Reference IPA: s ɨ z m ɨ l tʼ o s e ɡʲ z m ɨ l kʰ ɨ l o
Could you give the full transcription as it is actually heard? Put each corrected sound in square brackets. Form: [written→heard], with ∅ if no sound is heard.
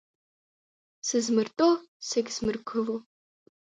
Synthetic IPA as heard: s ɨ z m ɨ [l→r] tʼ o s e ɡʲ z m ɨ [l→r] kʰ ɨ l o